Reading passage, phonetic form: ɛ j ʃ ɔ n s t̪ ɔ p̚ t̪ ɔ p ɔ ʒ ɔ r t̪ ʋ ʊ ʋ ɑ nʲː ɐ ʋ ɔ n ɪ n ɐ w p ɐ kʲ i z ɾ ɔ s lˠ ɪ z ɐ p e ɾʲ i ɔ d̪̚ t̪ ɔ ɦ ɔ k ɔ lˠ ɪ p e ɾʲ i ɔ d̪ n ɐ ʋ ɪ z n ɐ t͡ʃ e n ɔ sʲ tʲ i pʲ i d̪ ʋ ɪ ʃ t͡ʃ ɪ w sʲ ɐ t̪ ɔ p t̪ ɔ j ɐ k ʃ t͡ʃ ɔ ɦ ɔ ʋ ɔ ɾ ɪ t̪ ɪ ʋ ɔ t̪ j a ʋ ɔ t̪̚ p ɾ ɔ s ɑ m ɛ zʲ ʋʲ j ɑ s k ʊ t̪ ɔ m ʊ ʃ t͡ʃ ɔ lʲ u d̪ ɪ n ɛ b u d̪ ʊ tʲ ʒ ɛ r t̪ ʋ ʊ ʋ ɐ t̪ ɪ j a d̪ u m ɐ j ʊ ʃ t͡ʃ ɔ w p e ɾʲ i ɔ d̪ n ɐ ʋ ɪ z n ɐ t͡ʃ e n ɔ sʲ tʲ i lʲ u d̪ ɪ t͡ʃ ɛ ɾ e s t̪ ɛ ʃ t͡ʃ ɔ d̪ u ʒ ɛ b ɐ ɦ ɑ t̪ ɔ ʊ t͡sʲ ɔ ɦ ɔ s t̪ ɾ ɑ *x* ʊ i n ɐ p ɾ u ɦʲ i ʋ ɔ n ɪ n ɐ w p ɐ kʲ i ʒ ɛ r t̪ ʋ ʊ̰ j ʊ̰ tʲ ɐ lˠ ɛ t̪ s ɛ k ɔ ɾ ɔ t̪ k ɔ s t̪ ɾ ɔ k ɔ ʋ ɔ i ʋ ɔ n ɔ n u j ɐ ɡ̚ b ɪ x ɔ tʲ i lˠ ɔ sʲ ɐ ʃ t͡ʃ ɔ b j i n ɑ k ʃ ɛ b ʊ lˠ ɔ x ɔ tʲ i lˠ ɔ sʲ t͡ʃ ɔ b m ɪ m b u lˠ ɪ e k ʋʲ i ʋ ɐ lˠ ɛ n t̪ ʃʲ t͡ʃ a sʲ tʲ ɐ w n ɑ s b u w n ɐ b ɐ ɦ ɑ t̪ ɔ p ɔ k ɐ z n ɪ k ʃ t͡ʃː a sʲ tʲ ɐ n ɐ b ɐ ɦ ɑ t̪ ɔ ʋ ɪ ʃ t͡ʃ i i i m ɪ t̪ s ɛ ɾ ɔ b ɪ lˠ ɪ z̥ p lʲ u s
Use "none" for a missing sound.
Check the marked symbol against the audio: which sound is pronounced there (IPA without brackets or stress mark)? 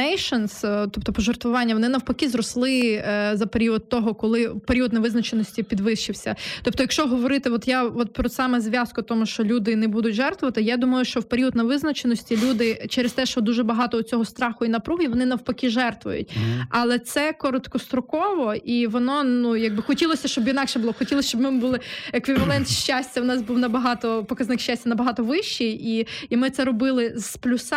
x